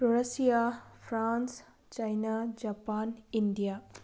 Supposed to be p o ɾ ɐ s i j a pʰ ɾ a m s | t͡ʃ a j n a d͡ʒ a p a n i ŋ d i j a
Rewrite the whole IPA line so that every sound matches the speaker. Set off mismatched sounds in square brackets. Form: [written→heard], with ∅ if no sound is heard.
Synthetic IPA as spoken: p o ɾ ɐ s i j a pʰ ɾ a [m→n] s | t͡ʃ a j n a d͡ʒ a p a n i [ŋ→n] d i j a